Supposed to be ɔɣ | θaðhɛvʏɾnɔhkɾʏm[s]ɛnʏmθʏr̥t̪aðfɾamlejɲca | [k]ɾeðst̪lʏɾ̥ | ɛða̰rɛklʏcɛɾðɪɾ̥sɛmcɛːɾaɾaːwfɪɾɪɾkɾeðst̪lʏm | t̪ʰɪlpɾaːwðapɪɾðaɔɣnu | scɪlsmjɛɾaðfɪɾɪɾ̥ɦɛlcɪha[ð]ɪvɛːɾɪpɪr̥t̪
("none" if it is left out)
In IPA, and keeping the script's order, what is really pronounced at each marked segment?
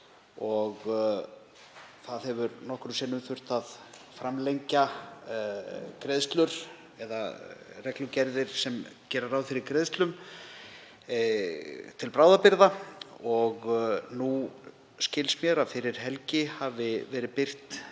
s, k, v

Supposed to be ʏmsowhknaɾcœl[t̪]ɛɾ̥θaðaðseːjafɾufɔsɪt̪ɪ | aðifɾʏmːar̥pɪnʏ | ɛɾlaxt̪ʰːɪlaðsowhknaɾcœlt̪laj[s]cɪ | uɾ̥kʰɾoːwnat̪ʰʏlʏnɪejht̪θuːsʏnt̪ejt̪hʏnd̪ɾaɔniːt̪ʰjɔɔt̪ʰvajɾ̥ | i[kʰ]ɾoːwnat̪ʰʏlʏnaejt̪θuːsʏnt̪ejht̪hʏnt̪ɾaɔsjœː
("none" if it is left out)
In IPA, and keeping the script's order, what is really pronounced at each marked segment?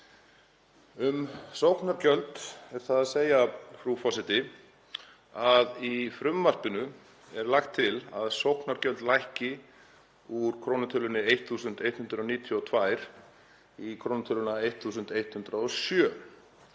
t̪, h, kʰ

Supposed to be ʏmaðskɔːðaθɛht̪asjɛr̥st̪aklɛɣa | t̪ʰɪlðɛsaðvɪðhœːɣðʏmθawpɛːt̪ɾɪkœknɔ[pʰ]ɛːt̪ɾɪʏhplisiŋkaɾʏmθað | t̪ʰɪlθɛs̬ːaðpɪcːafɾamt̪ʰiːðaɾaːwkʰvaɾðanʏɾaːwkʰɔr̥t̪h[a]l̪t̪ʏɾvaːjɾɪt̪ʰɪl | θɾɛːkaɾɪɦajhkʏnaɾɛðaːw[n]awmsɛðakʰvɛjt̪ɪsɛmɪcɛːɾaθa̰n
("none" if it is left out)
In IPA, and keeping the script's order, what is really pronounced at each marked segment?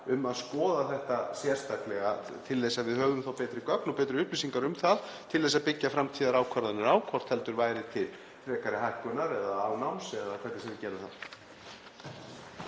p, ɛ, n

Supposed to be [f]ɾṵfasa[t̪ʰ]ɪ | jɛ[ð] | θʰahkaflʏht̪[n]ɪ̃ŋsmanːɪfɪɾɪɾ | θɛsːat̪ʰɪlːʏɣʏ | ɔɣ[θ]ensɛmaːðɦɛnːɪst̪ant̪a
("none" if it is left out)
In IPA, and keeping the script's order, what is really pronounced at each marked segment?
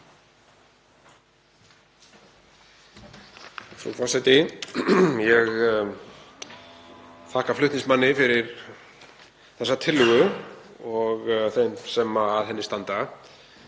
f, t̪, ɣ, n, θ

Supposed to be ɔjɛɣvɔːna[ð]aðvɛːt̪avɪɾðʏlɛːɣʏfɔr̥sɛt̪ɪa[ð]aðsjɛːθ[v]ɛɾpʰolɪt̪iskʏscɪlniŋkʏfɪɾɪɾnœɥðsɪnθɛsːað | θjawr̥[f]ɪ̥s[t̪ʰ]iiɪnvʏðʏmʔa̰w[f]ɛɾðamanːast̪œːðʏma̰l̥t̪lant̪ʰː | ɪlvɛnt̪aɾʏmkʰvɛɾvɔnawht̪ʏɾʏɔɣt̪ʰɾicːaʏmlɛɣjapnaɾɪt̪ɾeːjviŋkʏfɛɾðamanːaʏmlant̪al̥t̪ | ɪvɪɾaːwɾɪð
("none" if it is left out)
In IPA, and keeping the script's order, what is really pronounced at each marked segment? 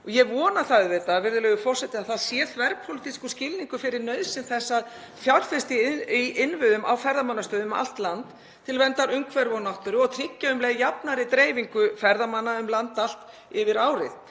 θ, θ, v, f, t̪, f

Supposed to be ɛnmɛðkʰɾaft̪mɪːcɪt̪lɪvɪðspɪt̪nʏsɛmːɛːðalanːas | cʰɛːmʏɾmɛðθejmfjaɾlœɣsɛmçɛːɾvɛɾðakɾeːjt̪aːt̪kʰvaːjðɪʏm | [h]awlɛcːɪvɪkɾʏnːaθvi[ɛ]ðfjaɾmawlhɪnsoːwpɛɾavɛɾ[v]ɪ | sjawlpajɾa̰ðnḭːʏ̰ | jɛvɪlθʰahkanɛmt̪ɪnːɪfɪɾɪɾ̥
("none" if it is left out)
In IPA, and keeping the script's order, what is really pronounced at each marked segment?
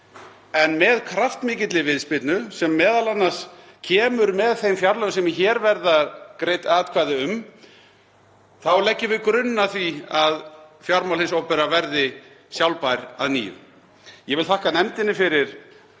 θ, a, ð

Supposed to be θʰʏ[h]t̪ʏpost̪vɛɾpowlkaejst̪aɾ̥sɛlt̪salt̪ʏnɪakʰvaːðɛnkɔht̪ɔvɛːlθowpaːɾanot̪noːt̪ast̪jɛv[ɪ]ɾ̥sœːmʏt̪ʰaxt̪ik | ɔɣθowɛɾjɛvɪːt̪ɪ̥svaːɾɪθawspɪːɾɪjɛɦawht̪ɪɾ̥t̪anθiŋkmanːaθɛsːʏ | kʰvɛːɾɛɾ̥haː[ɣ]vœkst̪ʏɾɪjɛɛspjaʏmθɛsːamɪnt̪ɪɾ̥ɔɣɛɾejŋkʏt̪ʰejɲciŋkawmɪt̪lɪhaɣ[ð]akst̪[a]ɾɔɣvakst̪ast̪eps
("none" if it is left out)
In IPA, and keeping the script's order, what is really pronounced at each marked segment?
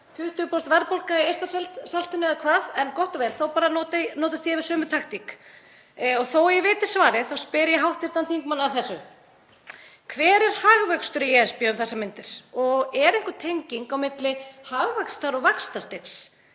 h, ɪ, ɣ, v, a

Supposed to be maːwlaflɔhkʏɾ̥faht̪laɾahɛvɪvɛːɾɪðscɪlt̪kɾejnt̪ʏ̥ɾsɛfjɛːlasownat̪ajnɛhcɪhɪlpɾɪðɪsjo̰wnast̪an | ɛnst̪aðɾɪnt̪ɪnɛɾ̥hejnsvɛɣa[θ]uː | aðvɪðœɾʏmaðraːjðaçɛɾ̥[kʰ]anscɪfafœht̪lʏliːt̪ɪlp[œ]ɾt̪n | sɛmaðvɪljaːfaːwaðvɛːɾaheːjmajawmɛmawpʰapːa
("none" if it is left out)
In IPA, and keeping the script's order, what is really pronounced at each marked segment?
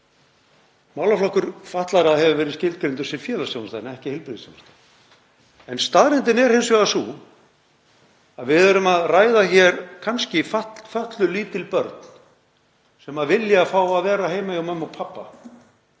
s, kʰ, œ

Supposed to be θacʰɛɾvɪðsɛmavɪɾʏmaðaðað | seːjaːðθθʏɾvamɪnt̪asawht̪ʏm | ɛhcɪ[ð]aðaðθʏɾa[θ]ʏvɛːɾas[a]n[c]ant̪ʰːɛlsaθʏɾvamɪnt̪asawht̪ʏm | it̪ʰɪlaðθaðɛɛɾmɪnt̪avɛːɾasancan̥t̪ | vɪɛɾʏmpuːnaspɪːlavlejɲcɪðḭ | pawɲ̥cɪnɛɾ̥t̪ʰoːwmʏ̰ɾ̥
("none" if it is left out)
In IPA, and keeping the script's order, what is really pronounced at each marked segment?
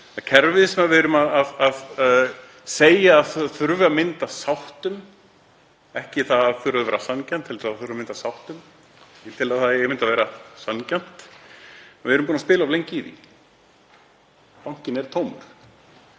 θ, ð, a, c

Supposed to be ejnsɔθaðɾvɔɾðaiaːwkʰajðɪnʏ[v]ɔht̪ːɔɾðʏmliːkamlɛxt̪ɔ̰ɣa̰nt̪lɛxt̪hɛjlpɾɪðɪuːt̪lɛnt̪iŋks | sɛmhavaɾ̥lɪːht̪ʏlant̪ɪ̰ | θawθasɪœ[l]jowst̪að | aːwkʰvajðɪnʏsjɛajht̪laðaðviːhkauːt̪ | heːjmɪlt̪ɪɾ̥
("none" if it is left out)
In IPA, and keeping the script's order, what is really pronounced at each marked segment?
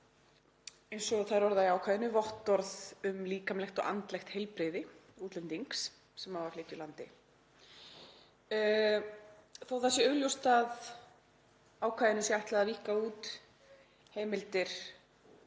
v, l

